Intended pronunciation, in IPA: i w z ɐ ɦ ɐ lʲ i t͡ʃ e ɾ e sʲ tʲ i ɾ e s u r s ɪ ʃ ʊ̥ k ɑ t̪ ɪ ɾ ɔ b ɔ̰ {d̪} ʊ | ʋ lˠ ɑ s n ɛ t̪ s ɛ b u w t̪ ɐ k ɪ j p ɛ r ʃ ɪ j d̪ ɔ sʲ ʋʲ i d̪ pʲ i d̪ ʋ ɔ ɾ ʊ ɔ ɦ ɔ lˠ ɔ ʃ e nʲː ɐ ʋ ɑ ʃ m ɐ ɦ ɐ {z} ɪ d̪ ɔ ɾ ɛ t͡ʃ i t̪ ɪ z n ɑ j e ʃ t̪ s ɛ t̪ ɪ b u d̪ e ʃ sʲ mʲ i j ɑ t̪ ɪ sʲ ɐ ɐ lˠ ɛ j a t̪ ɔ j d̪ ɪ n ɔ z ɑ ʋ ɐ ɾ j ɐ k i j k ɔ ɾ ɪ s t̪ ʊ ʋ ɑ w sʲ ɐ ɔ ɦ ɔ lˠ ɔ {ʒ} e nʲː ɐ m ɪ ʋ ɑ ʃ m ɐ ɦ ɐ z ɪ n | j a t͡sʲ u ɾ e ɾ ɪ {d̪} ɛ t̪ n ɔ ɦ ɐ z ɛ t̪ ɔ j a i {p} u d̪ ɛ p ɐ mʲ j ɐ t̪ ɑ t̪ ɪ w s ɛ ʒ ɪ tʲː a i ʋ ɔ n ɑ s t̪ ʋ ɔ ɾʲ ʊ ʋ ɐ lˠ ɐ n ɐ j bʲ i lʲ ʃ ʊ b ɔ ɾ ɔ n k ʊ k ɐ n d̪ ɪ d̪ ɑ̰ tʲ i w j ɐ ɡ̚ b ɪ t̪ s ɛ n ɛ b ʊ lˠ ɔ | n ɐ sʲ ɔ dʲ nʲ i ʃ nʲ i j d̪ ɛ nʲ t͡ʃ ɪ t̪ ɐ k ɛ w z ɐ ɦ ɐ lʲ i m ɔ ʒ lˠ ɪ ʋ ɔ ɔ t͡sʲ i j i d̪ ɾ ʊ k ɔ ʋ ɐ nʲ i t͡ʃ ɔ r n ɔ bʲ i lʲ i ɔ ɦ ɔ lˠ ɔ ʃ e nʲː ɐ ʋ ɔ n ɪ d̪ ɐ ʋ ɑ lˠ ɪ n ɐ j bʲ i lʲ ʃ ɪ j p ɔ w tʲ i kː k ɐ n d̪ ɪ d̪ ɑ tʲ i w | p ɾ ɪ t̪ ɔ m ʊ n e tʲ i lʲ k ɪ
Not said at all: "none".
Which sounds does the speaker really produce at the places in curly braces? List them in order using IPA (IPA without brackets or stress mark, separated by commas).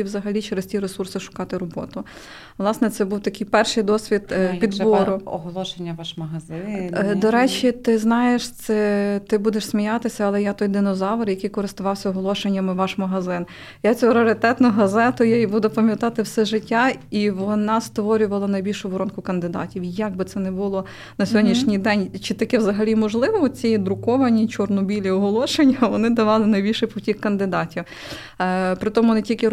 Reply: t̪, z, ʃ, t̪, b